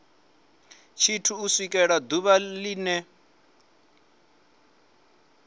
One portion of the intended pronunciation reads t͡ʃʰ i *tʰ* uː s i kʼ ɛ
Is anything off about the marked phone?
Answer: no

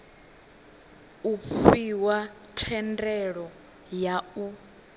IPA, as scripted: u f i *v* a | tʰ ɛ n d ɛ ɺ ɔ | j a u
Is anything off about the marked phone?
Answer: yes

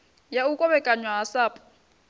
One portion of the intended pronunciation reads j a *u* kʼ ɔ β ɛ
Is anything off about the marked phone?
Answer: no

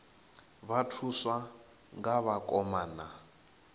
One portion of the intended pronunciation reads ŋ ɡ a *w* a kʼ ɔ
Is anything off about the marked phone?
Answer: yes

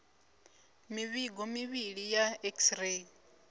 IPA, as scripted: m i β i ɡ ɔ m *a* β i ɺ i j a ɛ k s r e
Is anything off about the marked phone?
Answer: yes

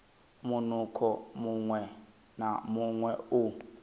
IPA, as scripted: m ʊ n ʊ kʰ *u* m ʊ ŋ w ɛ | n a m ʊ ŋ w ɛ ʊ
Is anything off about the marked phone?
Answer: yes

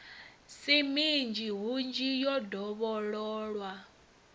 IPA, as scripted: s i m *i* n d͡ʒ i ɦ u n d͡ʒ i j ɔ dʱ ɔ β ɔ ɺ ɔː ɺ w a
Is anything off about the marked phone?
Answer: no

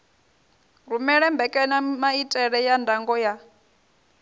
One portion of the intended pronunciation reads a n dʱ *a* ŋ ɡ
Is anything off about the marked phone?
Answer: no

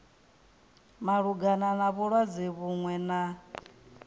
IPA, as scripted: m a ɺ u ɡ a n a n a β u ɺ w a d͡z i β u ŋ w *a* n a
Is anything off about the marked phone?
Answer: yes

